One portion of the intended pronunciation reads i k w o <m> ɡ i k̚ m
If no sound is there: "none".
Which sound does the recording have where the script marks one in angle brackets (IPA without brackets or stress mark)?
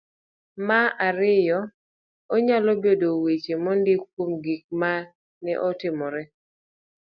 m